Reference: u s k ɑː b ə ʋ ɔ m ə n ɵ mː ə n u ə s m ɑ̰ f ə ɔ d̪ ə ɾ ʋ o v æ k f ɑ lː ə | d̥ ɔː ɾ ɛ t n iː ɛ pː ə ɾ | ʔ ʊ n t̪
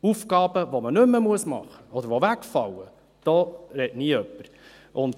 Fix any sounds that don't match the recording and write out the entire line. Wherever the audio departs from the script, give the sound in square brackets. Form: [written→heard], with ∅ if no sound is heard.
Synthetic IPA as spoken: u [s→f] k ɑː b ə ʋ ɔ m ə n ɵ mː ə [n→m] u ə s m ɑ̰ [f→χ] ə ɔ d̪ ə ɾ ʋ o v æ k f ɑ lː ə | d̥ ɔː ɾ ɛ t n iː [ɛ→œ] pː ə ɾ | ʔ ʊ n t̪